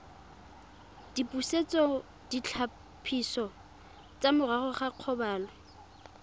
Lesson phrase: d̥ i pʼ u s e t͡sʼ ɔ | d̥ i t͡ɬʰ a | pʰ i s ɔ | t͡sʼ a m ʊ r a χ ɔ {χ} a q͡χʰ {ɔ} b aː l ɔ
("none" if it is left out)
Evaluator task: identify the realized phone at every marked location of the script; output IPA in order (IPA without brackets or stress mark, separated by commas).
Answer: χ, ɔ